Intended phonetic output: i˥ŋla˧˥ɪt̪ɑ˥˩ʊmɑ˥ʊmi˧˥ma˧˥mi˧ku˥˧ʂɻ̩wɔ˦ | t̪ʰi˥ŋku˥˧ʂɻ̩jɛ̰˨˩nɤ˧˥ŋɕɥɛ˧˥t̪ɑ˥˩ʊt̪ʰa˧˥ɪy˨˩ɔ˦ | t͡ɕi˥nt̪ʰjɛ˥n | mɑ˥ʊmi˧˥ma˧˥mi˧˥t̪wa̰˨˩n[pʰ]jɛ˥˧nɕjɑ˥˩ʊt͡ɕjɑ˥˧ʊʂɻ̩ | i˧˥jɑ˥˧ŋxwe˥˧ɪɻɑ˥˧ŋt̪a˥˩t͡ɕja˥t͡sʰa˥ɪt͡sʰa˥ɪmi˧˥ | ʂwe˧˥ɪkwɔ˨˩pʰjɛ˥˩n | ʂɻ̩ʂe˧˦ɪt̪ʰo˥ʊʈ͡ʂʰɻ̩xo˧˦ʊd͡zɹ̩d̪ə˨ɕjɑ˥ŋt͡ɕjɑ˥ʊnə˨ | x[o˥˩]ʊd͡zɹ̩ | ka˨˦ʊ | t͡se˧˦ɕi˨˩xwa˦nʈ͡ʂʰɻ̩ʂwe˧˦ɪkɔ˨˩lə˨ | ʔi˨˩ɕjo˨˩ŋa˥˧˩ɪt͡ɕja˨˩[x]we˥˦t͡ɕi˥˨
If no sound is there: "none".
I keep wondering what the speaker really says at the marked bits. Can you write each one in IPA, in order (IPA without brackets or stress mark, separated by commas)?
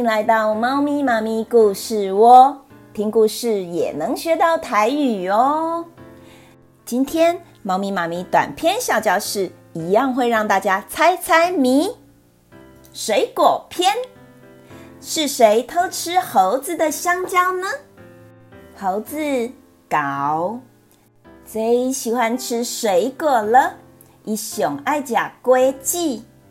pʰ, o˧˦, k